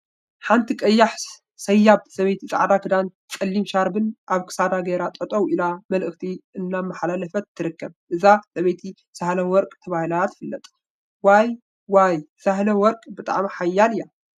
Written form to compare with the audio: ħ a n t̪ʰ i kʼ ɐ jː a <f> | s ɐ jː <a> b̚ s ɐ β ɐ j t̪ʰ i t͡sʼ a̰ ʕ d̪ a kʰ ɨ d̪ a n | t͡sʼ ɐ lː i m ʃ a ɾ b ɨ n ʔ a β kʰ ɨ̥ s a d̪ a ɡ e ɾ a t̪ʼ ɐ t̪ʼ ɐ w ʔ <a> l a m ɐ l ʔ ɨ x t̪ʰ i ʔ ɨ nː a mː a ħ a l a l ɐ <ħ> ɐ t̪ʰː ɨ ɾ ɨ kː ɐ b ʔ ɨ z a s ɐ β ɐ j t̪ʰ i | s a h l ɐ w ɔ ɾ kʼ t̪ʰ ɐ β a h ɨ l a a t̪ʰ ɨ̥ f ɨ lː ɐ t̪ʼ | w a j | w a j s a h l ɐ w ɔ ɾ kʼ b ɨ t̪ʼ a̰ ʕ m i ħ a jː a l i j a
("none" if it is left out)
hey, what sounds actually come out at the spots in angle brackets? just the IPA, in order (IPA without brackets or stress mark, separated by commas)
ħ, a, i, f